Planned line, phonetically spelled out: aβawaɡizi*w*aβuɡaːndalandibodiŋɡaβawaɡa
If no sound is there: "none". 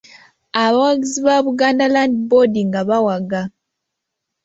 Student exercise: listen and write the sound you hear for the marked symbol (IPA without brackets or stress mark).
β